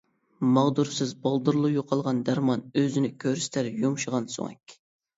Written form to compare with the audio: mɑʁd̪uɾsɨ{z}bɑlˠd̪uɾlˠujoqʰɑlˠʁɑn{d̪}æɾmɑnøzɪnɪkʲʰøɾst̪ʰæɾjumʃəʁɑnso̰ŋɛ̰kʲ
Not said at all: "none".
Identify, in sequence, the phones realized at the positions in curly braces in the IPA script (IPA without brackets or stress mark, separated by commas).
z, d̪